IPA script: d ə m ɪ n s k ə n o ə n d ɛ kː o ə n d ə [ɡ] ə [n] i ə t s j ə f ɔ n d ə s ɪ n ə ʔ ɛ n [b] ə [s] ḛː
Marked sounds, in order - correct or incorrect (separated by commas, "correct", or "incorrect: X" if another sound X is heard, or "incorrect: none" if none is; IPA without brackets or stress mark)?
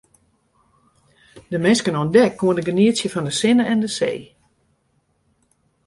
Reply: correct, correct, incorrect: d, correct